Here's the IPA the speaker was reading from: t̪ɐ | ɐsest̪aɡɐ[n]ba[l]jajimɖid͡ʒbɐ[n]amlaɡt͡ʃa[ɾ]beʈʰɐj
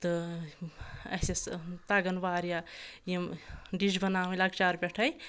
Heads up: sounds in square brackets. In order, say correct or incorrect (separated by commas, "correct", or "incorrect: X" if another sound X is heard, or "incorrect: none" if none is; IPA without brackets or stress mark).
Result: correct, incorrect: ɾ, correct, correct